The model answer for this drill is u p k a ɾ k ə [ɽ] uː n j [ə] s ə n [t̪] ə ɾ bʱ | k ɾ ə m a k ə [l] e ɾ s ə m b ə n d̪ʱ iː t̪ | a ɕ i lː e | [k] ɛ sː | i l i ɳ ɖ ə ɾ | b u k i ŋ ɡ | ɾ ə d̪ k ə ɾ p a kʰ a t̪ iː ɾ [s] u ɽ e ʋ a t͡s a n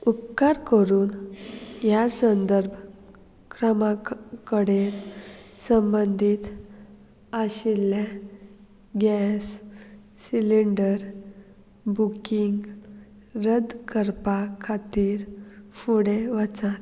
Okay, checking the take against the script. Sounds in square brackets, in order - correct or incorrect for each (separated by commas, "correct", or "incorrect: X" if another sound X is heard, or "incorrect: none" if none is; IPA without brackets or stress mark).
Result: incorrect: ɾ, incorrect: a, incorrect: d̪, incorrect: ɽ, incorrect: ɡ, incorrect: f